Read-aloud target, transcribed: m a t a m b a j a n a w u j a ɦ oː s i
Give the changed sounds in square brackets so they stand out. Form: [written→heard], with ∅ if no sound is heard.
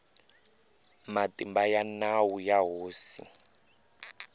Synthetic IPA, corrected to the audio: m a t [a→i] m b a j a n a w u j a ɦ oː s i